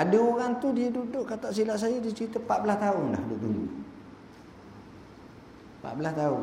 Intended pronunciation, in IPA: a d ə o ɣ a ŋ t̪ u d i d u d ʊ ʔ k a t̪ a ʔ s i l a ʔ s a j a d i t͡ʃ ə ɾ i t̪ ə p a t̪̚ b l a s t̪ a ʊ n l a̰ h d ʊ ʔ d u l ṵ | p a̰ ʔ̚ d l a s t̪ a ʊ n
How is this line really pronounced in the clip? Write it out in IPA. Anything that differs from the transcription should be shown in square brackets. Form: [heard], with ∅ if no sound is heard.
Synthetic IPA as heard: a d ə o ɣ a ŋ t̪ u d i d u d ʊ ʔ k a t̪ a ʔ s i l a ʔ s a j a d i t͡ʃ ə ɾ i t̪ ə p a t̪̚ b l a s t̪ a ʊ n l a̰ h d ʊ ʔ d u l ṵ | p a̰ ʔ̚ [b] l a s t̪ a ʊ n